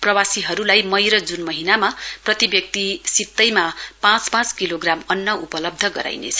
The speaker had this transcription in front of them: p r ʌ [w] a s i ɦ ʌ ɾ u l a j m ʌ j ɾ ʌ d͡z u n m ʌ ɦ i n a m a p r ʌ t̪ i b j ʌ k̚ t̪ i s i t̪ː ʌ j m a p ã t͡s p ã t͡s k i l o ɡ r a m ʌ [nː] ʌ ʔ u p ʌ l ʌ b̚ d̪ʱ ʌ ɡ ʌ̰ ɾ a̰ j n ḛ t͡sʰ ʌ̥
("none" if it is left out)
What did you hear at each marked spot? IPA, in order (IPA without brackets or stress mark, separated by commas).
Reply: w, nː